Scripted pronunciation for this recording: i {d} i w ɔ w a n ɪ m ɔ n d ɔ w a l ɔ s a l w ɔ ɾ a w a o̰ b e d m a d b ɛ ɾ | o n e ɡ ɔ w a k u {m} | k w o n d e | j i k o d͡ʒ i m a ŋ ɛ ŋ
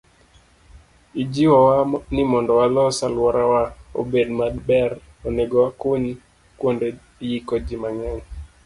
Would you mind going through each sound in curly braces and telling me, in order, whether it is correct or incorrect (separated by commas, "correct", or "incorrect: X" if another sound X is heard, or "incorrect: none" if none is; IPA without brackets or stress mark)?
incorrect: d͡ʒ, incorrect: ɲ